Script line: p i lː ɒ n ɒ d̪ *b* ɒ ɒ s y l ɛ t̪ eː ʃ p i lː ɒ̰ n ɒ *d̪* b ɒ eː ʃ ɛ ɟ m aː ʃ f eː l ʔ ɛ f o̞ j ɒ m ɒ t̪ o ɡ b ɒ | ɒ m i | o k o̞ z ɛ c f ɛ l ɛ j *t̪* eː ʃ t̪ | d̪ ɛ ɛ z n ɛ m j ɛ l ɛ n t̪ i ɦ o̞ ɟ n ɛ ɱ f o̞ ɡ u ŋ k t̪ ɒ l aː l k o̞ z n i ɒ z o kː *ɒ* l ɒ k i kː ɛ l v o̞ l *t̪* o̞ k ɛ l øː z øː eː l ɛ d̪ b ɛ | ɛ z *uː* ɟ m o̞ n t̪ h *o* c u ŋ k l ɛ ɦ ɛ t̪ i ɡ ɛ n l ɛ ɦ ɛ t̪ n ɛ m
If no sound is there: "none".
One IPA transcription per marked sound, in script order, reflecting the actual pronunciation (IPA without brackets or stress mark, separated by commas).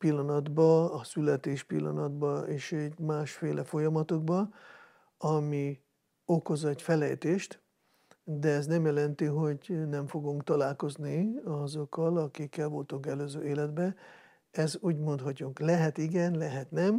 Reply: b, d̪, t̪, ɒ, t̪, uː, ɒ